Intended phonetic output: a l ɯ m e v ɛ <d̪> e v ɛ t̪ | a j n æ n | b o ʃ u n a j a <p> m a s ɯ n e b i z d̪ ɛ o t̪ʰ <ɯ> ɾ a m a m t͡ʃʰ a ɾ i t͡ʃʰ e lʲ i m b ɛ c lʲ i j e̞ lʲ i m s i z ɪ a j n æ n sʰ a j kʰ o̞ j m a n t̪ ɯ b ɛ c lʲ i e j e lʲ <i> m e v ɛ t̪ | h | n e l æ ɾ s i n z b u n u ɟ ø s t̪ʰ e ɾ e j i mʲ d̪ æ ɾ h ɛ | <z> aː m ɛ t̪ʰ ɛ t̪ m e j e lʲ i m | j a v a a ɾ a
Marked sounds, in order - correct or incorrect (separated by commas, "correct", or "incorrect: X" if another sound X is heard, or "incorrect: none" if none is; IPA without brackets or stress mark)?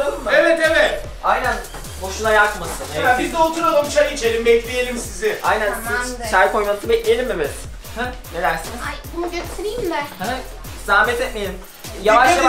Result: incorrect: t̪, incorrect: k, incorrect: u, correct, correct